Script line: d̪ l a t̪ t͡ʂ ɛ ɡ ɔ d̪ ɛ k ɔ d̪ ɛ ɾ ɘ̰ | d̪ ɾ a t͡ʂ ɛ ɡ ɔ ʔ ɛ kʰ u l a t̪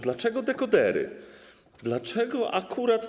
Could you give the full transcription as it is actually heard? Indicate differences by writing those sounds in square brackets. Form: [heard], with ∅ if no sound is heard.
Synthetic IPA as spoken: d̪ l a [∅] t͡ʂ ɛ ɡ ɔ d̪ ɛ k ɔ d̪ ɛ ɾ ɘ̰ | d̪ [l] a t͡ʂ ɛ ɡ ɔ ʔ [a] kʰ u [ɾ] a t̪